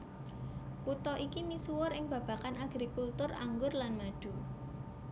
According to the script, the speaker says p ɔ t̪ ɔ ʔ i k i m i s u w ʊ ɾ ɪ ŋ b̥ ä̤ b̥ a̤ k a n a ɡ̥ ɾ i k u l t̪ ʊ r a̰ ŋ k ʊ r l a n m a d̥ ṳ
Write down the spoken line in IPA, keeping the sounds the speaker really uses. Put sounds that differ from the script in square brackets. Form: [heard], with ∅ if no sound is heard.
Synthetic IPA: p [u] t̪ ɔ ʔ i k i m i s u w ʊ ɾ ɪ ŋ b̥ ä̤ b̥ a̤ k a n a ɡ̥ ɾ i k u l t̪ ʊ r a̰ ŋ [ɡ] ʊ r l a n m a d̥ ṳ